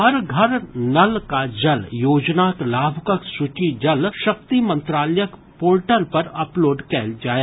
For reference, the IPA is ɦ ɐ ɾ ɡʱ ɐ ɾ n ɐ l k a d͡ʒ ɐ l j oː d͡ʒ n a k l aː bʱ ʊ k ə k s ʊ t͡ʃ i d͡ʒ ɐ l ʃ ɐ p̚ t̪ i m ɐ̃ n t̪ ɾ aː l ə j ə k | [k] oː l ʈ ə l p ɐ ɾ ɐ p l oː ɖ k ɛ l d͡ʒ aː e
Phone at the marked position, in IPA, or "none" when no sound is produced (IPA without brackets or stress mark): p